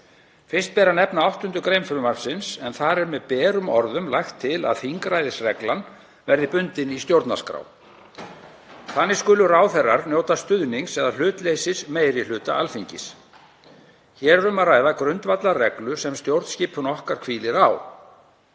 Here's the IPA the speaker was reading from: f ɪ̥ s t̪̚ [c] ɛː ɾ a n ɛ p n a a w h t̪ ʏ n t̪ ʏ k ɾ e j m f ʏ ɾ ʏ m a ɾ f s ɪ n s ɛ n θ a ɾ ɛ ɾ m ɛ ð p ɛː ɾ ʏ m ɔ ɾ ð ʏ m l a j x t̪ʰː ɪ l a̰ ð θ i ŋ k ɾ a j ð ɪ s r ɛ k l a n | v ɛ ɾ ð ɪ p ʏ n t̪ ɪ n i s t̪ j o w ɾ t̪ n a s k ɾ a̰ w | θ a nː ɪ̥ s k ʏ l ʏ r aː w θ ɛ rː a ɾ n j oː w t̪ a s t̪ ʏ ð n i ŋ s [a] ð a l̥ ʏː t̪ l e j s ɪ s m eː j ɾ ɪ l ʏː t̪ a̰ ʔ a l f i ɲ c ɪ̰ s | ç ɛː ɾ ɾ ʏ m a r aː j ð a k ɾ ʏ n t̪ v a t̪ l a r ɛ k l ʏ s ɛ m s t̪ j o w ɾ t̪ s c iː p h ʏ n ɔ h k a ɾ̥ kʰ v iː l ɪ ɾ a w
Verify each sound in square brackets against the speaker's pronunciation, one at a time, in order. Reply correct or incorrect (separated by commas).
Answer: incorrect, incorrect